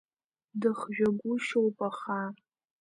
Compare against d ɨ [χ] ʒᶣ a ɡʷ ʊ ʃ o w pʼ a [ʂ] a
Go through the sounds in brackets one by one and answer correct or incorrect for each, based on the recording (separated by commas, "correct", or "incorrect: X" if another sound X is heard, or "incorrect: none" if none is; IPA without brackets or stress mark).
correct, incorrect: χ